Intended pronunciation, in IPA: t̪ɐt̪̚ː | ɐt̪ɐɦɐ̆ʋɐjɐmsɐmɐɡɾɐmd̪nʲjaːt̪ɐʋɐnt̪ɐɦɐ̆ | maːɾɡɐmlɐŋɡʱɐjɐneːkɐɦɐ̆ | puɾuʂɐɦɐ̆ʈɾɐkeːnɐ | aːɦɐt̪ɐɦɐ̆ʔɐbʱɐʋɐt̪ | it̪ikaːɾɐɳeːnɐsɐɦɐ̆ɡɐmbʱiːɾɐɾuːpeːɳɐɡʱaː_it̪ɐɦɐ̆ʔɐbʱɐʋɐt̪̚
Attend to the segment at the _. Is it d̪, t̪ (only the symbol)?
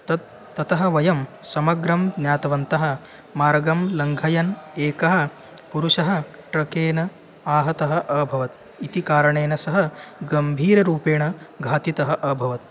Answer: t̪